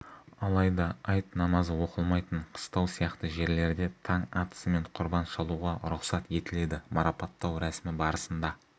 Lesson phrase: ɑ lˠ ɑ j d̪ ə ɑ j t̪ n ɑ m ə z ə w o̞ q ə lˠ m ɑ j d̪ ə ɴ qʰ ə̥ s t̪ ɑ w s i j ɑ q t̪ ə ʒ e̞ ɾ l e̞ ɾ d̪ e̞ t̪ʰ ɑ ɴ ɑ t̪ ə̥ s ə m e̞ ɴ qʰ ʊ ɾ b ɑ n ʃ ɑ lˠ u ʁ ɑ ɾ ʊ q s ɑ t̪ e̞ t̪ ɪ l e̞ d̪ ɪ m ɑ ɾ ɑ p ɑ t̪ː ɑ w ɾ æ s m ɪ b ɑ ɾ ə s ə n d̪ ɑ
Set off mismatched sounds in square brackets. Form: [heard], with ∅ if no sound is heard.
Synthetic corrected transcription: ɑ lˠ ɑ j d̪ [ɑ] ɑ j t̪ n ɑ m [ɑ] z ə w o̞ q ə lˠ m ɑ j [t̪] ə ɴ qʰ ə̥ s t̪ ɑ w s i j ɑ q t̪ ə ʒ e̞ ɾ l e̞ ɾ d̪ e̞ t̪ʰ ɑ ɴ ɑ t̪ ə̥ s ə m e̞ ɴ qʰ ʊ ɾ b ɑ n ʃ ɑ lˠ u ʁ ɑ ɾ ʊ q s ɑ t̪ e̞ t̪ ɪ l e̞ d̪ ɪ m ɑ ɾ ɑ p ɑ t̪ː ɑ w ɾ æ s m ɪ b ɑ ɾ ə s ə n d̪ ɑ